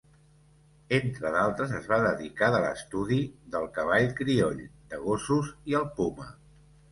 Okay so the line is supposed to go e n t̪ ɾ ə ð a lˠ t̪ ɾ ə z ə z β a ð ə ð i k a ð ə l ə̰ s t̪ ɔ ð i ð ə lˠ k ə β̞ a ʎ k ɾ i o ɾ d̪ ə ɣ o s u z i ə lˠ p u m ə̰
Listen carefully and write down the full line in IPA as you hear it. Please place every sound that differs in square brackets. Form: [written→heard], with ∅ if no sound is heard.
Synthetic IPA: e n t̪ ɾ ə ð a lˠ t̪ ɾ ə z ə z β a ð ə ð i k a ð ə l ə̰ s t̪ [ɔ→u] ð i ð ə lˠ k ə β̞ a ʎ k ɾ i o [ɾ→ʎ] d̪ ə ɣ o s u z i ə lˠ p u m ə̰